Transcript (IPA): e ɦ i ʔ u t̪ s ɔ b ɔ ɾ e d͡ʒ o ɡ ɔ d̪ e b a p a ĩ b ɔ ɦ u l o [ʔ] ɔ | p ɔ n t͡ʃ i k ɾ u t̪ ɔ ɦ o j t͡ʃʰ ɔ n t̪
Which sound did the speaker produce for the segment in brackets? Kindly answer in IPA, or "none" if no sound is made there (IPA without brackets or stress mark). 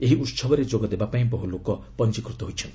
k